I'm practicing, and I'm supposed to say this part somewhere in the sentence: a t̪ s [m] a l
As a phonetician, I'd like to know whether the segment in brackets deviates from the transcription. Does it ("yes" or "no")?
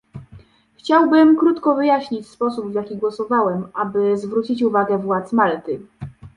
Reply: no